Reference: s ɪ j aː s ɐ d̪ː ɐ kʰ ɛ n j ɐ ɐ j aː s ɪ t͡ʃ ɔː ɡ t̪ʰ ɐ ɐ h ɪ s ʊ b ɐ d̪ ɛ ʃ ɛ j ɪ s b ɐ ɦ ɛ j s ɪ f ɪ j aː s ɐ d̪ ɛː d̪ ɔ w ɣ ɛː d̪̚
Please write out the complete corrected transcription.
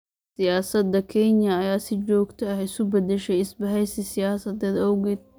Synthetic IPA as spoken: s ɪ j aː s ɐ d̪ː ɐ kʰ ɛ n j ɐ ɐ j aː s ɪ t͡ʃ ɔː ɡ t̪ʰ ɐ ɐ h ɪ s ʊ b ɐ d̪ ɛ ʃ ɛ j ɪ s b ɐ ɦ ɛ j s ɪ s ɪ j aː s ɐ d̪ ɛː d̪ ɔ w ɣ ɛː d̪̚